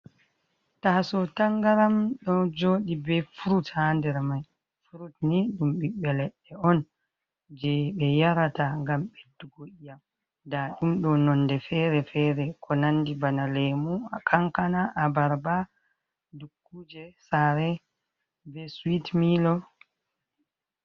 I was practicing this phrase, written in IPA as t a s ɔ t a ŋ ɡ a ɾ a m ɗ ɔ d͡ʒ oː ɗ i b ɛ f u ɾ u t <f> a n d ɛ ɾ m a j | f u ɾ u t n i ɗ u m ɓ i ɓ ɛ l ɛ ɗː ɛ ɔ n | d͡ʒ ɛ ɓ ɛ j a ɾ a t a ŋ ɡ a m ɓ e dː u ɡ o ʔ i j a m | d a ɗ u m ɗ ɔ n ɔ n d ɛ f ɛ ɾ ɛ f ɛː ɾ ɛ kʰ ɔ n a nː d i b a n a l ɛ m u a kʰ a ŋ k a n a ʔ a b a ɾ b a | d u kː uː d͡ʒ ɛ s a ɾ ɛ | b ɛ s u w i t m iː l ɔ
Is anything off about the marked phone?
yes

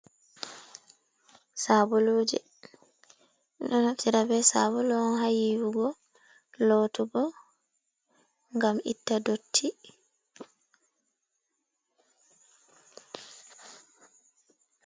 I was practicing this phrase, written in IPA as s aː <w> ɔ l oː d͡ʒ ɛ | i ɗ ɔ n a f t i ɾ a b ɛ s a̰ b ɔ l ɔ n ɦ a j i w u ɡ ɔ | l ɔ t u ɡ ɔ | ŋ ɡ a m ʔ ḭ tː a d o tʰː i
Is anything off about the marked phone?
yes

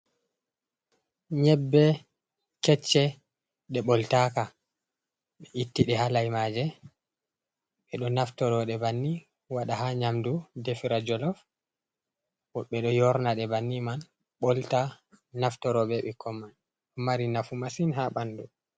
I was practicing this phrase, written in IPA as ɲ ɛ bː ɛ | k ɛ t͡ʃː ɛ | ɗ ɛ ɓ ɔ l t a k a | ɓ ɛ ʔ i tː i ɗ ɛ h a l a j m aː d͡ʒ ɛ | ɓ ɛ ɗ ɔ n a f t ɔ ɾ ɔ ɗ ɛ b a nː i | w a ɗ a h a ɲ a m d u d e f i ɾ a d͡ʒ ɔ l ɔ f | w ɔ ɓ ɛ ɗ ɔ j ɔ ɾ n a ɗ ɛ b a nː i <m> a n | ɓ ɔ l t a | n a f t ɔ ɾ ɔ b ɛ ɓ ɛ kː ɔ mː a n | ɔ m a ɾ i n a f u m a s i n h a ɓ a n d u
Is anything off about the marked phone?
no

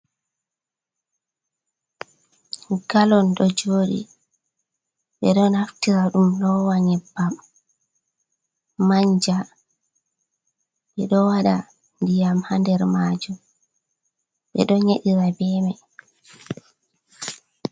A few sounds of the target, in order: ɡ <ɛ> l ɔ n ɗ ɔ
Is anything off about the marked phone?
yes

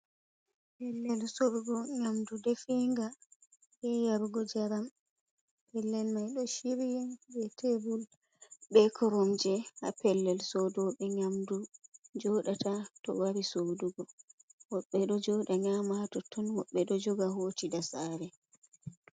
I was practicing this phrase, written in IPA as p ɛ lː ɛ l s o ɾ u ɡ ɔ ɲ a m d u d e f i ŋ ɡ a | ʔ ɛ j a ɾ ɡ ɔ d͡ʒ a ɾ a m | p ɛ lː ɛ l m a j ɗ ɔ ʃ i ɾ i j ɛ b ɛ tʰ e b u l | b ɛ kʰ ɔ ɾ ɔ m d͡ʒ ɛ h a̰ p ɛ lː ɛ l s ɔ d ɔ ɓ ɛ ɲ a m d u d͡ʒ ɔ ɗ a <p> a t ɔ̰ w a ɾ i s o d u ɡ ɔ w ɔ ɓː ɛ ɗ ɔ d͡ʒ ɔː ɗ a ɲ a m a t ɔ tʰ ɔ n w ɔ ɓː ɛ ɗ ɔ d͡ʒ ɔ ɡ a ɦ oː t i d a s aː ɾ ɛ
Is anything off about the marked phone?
yes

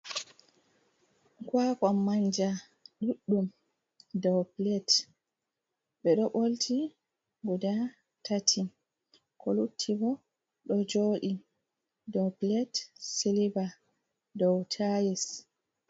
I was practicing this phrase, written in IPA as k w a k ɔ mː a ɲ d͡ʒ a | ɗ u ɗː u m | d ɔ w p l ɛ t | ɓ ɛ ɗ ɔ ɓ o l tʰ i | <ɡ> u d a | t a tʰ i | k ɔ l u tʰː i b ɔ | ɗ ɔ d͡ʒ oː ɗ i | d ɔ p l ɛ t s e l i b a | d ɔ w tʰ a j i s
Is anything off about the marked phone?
no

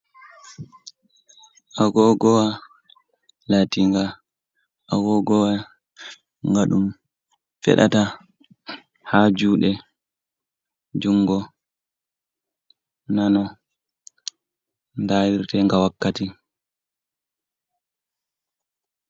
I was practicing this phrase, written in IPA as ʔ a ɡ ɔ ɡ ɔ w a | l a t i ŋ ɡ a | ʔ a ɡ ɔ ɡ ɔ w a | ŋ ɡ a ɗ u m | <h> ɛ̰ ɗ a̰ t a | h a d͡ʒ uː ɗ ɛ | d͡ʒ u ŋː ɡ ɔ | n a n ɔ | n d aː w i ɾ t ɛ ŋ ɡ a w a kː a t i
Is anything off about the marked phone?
yes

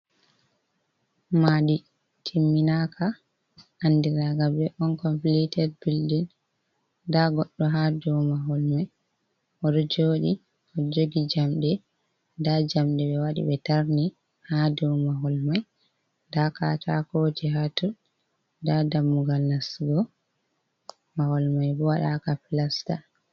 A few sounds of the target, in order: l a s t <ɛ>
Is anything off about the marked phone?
yes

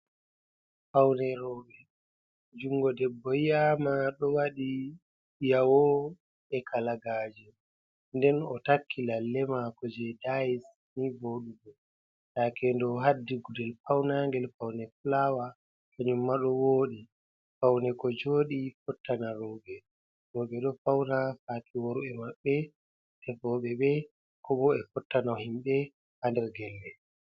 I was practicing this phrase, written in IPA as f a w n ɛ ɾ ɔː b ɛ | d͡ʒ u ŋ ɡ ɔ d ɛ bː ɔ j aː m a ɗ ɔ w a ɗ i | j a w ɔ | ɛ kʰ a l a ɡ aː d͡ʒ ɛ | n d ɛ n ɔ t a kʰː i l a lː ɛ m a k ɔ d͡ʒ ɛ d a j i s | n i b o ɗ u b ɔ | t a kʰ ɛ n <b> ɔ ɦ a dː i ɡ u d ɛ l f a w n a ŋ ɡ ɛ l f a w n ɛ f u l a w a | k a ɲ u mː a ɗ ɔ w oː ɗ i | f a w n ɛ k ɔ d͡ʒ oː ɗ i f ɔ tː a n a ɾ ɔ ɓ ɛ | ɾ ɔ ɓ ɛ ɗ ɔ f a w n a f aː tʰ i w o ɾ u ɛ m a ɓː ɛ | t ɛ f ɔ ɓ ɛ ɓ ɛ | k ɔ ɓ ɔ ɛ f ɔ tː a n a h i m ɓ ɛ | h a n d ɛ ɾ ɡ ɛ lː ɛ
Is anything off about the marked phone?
yes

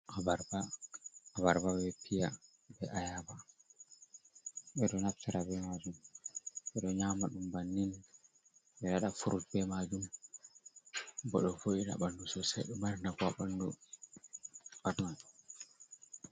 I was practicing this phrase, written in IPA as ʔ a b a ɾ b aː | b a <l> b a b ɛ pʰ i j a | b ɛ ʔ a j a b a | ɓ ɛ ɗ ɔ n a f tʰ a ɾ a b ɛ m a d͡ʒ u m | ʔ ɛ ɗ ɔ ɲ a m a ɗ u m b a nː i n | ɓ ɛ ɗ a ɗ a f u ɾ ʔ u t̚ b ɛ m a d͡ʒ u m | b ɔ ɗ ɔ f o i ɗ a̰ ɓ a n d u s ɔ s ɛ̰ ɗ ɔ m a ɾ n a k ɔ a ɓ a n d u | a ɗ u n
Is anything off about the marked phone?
yes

